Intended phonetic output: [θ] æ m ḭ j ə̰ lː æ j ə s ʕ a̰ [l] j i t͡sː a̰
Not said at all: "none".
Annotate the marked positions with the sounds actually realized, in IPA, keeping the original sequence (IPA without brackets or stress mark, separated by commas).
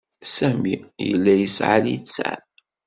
s, l